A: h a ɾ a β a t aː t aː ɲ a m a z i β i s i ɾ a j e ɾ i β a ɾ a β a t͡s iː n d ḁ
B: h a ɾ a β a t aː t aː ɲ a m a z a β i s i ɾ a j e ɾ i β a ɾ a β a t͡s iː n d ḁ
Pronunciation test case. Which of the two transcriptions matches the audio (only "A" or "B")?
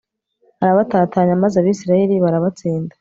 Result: B